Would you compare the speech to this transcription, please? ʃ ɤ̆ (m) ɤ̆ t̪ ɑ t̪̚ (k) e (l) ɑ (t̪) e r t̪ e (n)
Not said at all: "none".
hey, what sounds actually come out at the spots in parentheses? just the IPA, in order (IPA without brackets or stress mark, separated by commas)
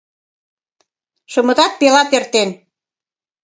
m, p, l, t̪, n